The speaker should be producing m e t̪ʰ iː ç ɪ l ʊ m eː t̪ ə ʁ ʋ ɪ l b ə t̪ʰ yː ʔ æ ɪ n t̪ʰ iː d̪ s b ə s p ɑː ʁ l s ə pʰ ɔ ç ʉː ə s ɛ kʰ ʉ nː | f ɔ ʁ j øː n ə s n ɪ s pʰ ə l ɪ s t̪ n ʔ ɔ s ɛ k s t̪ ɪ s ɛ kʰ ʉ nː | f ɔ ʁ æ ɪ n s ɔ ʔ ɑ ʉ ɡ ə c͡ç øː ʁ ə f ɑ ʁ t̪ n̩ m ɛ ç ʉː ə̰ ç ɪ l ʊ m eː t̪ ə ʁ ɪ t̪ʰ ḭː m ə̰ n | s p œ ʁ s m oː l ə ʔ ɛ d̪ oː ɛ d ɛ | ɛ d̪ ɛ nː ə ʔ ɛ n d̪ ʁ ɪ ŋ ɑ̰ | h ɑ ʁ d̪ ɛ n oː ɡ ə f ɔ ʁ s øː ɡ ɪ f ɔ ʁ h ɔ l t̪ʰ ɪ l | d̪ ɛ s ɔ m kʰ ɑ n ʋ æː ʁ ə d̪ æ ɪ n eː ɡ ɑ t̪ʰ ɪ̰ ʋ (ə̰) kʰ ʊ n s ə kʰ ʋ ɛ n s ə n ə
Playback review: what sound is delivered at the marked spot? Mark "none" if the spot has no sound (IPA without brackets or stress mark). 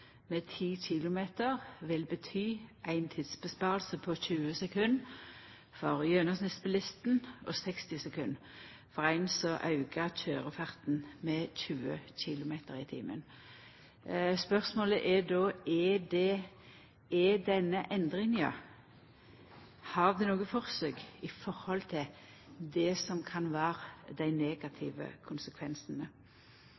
ə̰